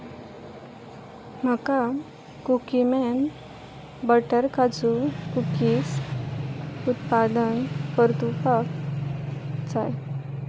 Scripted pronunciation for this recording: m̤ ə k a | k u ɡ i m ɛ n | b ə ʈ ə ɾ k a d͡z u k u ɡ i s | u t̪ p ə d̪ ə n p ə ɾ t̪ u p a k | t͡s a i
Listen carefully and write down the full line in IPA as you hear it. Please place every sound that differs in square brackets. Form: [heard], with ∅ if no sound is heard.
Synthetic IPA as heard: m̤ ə k a | k u [k] i m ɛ n | b ə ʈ ə ɾ k a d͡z u k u [k] i s | u t̪ p [a] d̪ ə n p ə ɾ t̪ u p a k | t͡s a [j]